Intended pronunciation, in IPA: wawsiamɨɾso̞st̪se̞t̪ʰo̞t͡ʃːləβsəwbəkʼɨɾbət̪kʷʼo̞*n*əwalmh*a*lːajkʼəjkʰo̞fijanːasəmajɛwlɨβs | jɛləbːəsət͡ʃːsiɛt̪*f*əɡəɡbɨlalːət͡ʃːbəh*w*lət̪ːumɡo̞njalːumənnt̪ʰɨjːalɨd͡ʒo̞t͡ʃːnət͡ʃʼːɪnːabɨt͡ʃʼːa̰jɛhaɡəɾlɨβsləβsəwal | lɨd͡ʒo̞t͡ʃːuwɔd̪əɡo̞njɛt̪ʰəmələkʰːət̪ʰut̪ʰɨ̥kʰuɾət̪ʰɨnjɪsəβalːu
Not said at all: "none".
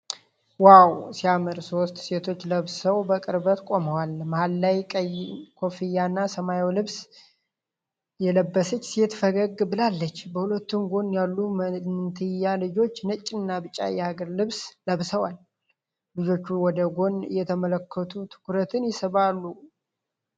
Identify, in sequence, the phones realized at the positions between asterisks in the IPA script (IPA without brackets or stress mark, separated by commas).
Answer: m, a, f, u